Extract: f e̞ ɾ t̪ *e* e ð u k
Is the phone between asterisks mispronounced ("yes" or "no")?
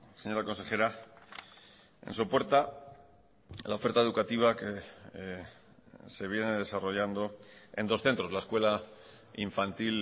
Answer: yes